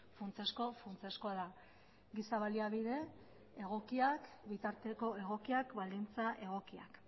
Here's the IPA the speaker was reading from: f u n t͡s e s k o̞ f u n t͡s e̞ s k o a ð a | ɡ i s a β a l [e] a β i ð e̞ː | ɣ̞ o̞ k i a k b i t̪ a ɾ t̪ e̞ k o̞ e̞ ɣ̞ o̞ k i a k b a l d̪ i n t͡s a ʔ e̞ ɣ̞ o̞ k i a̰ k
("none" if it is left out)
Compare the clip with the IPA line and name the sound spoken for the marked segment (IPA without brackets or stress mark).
i